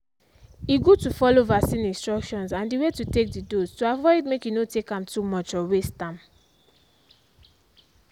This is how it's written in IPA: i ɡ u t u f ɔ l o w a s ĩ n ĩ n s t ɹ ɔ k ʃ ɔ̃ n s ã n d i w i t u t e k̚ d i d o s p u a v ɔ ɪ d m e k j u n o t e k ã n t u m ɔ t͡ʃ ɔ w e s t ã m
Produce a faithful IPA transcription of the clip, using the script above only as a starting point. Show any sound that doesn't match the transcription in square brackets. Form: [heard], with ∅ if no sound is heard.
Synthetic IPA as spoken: i ɡ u t u f ɔ l o [v] a s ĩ n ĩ n s t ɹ ɔ k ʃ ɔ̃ n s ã n d i w [e] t u t e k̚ d i d o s [t] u a v ɔ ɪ d m e k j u n o t e k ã [m] t u m ɔ t͡ʃ ɔ w e s t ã m